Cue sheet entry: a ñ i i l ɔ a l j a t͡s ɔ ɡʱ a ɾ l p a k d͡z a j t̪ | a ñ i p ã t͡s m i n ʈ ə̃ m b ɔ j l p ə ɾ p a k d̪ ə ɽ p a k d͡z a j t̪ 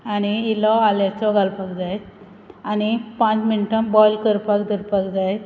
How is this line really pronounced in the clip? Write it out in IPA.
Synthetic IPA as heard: a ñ i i l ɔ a l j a t͡s ɔ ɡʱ a l p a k d͡z a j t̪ | a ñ i p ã t͡s m i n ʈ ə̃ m b ɔ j l k ə ɾ p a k d̪ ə ɾ p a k d͡z a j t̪

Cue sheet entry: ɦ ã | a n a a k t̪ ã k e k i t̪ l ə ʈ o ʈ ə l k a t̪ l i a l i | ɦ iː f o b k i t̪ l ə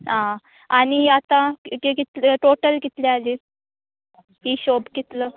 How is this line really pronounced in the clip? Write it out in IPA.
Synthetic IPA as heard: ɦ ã | a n i a t̪ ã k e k i t̪ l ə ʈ o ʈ ə l k i t̪ l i a l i | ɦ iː ɕ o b k i t̪ l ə

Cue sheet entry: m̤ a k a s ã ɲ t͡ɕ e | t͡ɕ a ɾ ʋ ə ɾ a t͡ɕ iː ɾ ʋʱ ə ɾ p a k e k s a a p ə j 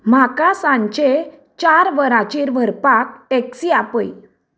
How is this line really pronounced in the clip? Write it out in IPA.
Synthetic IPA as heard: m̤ a k a s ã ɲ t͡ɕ e | t͡ɕ a ɾ ʋ ə ɾ a t͡ɕ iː ɾ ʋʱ ə ɾ p a k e k s i a p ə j

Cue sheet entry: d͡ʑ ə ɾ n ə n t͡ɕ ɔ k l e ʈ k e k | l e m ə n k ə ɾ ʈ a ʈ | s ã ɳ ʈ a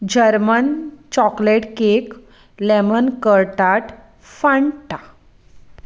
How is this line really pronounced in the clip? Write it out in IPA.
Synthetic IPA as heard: d͡ʑ ə ɾ m ə n t͡ɕ ɔ k l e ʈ k e k | l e m ə n k ə ɾ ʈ a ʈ | f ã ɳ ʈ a

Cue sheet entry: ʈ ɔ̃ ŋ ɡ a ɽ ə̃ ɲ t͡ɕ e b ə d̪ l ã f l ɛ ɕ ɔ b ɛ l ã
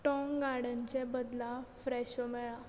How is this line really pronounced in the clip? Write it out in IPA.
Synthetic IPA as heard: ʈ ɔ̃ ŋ ɡ a ɽ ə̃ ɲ t͡ɕ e b ə d̪ l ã f ɾ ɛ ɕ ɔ m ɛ ɭ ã

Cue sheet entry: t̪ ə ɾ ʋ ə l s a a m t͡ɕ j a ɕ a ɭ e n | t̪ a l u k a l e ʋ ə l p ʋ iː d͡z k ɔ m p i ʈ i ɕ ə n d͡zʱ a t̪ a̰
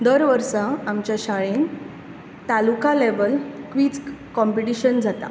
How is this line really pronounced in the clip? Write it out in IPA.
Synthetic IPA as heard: d̪ ə ɾ ʋ ə ɾ s a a m t͡ɕ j a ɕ a ɭ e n | t̪ a l u k a l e ʋ ə l k ʋ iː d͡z k ɔ m p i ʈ i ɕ ə n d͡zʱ a t̪ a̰

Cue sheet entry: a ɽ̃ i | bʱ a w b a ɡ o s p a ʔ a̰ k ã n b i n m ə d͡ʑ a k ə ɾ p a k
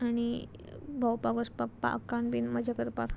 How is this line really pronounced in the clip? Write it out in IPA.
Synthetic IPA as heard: a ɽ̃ i | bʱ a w p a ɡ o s p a p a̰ k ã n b i n m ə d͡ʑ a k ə ɾ p a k

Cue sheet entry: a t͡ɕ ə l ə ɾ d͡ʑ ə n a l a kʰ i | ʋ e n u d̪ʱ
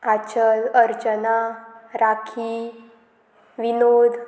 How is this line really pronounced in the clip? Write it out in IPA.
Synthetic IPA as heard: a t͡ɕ ə l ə ɾ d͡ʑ ə n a ɾ a kʰ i | ʋ i n o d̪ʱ

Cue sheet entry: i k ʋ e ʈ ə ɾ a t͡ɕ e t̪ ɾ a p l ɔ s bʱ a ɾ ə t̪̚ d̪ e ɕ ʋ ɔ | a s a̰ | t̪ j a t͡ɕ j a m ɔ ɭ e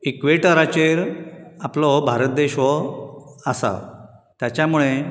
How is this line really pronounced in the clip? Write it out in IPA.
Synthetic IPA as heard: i k ʋ e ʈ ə ɾ a t͡ɕ e ɾ a p l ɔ bʱ a ɾ ə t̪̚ d̪ e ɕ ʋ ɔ | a s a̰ | t̪ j a t͡ɕ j a m u ɭ e

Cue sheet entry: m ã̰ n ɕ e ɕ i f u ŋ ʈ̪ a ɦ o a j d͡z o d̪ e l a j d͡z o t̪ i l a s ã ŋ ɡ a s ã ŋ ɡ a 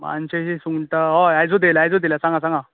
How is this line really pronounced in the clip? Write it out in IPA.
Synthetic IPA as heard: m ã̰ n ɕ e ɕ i s u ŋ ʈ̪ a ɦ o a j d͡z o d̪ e l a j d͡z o d̪ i l a s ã ŋ ɡ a s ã ŋ ɡ a

